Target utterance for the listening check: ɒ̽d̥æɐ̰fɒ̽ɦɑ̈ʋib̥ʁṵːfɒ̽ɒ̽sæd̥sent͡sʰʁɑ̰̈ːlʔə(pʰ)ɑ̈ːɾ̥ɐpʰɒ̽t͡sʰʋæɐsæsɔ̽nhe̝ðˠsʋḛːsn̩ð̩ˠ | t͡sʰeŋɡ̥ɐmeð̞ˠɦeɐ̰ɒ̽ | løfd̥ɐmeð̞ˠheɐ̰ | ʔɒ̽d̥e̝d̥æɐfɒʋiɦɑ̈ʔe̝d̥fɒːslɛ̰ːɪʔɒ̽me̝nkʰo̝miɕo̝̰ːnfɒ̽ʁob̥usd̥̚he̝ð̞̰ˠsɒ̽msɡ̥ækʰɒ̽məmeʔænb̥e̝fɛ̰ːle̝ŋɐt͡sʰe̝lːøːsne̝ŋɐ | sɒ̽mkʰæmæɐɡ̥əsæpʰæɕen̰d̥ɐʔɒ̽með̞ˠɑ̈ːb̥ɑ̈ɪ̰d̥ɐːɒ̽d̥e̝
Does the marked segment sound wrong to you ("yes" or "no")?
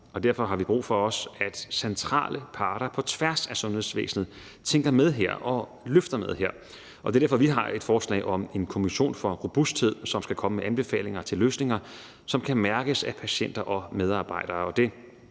no